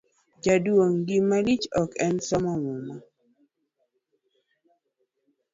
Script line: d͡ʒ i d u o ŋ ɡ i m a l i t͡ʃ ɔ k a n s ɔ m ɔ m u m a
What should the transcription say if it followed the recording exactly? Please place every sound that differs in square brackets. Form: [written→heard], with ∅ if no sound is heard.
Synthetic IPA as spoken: d͡ʒ [i→a] d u o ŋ ɡ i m a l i t͡ʃ ɔ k [a→ɛ] n s ɔ m ɔ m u m a